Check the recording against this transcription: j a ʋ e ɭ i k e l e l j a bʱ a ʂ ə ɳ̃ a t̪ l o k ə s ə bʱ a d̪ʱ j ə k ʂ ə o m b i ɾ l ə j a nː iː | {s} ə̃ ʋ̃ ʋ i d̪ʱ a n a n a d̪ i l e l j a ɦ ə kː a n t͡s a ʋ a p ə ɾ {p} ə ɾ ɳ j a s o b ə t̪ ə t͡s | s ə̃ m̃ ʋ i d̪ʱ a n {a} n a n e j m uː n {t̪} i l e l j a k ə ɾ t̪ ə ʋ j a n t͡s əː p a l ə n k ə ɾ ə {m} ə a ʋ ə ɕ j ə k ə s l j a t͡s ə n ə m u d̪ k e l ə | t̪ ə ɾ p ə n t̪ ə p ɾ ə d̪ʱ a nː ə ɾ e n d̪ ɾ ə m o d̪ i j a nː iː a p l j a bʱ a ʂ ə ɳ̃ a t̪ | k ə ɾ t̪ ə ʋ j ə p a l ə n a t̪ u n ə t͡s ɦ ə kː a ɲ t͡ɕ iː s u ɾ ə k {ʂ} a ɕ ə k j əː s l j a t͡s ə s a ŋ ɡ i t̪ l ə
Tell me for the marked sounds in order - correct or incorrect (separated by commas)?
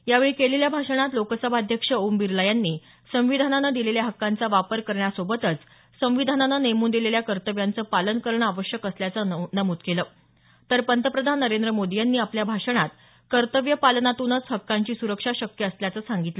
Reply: correct, incorrect, correct, incorrect, incorrect, correct